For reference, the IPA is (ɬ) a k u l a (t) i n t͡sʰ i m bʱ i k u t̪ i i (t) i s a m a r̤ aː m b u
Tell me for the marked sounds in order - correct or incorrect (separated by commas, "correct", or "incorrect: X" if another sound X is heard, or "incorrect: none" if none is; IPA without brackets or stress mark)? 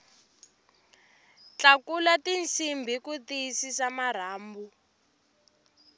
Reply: incorrect: t͡ɬ, correct, incorrect: s